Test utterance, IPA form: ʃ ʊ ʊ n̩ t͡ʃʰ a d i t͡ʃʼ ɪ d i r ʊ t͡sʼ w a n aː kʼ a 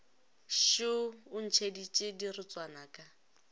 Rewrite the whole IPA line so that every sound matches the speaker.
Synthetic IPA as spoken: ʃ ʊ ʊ n̩ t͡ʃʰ e d i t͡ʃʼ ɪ d i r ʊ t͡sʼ w a n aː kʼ a